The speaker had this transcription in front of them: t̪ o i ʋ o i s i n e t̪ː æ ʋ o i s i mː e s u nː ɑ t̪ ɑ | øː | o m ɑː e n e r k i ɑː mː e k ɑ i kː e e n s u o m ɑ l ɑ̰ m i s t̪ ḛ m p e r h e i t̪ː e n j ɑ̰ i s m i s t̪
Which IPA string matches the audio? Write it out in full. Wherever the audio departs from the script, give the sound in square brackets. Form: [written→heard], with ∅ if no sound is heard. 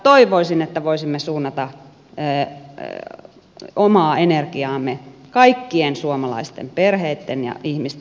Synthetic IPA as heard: t̪ o i ʋ o i s i n e t̪ː æ ʋ o i s i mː e s [u→uː] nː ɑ t̪ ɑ | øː | o m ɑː e n e r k i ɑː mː e k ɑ i kː [e→i] e n s u o m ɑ l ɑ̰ [m→∅] i s t̪ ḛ m p e r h e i t̪ː e n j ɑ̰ i [s→h] m i s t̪